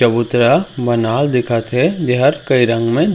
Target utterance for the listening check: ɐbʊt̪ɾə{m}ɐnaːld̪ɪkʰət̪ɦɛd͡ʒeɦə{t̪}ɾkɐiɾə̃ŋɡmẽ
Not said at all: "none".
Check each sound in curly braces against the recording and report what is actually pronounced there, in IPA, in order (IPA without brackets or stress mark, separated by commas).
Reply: b, none